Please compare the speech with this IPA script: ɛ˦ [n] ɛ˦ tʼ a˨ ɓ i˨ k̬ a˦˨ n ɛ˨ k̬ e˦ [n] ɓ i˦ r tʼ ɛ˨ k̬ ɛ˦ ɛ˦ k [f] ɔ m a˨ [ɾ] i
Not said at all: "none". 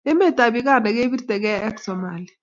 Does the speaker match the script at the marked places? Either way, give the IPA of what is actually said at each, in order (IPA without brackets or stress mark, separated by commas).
m, none, s, l